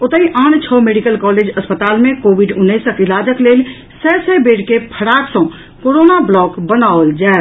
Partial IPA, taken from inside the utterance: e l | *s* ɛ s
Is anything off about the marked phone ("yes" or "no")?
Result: no